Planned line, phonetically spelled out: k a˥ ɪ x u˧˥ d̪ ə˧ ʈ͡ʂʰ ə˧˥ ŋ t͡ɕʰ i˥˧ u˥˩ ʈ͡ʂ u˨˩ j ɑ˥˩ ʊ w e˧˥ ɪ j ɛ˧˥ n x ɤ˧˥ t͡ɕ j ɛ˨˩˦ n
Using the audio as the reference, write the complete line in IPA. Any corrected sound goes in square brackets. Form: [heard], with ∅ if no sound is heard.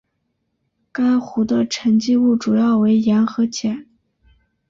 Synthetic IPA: k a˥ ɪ x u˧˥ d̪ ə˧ ʈ͡ʂʰ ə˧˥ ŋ [t͡ɕ] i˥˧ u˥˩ ʈ͡ʂ u˨˩ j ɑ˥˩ ʊ w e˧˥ ɪ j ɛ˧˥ n x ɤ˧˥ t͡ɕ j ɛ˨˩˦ n